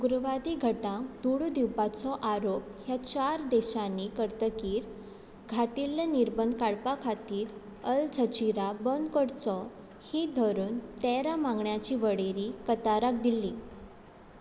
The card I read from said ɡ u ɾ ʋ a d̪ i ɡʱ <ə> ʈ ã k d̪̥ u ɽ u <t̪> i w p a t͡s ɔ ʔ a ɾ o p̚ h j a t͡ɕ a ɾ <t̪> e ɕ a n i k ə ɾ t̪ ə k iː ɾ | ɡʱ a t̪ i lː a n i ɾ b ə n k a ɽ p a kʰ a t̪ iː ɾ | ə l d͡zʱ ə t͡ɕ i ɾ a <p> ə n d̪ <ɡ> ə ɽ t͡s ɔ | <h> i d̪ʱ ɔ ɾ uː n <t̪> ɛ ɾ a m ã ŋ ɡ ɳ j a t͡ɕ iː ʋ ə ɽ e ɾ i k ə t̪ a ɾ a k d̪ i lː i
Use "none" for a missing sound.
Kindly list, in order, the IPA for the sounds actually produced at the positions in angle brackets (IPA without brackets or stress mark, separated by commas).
ə, d̪, d̪, b, k, h, t̪